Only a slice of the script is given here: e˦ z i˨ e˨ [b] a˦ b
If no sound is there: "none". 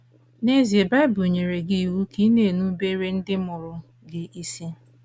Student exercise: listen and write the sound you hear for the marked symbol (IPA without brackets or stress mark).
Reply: b